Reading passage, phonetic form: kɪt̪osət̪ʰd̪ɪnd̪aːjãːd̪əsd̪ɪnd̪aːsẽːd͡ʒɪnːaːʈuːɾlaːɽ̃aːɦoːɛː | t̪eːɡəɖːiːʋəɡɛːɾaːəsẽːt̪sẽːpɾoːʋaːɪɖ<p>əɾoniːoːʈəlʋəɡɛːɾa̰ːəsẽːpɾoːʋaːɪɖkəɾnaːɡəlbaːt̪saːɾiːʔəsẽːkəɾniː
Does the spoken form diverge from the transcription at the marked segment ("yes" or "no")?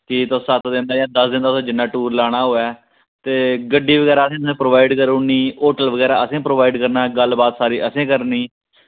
yes